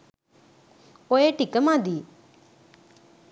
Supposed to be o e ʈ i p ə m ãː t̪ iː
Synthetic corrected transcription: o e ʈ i k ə m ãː d̪ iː